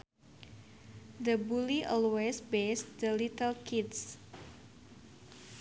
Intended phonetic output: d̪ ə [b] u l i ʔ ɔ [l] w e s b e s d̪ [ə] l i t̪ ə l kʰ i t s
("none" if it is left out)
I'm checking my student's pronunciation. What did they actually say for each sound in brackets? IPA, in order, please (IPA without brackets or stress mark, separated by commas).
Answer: b, l, ə